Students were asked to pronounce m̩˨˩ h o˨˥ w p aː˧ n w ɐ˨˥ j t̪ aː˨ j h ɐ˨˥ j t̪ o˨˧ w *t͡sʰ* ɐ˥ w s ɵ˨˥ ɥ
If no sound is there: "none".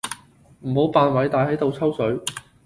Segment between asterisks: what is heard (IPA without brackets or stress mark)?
t͡sʰ